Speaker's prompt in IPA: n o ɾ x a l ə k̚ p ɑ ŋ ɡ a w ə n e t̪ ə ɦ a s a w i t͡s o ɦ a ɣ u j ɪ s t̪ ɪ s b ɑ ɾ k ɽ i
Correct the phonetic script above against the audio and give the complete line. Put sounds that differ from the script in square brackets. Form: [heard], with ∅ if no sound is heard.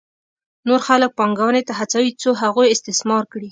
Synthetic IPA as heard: n o ɾ x a l ə k̚ p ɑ ŋ ɡ a w ə n e t̪ [a] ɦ a [t͡s] a w i t͡s o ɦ a ɣ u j ɪ s t̪ ɪ s [m] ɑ ɾ k ɽ i